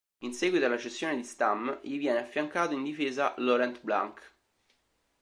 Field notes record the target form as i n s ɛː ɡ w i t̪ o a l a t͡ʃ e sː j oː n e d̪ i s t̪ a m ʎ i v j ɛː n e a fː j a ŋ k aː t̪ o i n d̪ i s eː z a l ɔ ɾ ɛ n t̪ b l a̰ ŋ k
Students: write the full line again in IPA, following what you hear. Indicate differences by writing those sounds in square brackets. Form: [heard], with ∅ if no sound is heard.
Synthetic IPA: i n s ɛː ɡ w i t̪ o a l a t͡ʃ e sː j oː n e d̪ i s t̪ a m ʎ i v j ɛː n e a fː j a ŋ k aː t̪ o i n d̪ i [f] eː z a l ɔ ɾ ɛ n t̪ b l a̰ ŋ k